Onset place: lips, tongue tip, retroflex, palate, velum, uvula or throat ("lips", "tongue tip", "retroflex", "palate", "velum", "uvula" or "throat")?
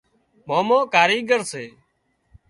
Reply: lips